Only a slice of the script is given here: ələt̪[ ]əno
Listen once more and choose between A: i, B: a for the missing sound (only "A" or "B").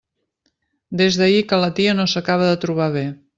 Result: A